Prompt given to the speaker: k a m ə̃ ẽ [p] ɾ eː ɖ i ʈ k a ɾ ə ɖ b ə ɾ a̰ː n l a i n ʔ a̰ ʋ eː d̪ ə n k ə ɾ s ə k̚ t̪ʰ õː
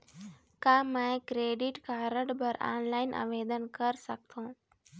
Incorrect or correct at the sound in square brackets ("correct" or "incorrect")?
incorrect